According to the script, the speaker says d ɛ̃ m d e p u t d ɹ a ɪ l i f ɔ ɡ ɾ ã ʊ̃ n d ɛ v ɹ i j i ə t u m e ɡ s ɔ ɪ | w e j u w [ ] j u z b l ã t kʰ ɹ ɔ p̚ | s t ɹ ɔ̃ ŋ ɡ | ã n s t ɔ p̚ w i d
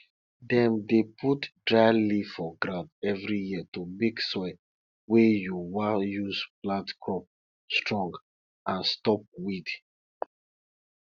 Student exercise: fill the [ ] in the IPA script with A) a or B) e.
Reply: A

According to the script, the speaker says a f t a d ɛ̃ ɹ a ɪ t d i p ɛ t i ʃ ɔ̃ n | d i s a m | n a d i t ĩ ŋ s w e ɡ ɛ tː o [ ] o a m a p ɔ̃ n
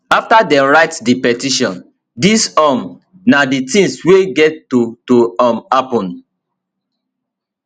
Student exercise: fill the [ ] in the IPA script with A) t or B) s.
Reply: A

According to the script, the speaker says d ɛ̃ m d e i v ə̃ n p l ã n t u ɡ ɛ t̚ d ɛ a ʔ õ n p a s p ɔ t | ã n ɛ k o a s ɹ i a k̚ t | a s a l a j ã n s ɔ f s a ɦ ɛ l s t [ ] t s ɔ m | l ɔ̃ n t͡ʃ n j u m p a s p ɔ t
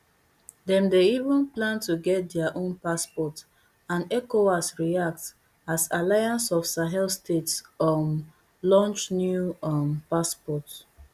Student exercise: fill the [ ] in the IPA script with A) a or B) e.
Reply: B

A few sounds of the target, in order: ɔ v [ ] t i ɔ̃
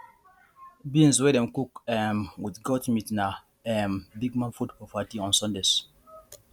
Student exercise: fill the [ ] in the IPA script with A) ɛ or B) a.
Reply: B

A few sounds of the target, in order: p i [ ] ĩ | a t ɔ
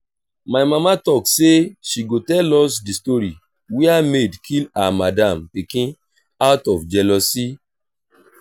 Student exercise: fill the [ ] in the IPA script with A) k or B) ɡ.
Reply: A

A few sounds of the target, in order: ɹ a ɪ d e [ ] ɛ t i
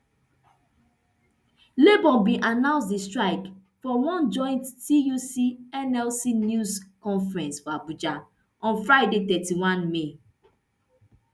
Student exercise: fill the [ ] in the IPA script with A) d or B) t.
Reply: B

